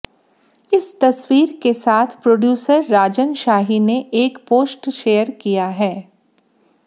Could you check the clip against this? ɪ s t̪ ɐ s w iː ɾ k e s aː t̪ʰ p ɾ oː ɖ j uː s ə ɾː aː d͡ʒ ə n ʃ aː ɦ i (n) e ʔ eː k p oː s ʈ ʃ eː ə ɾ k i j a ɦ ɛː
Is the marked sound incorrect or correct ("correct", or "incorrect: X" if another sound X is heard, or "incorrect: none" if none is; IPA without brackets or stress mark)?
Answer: correct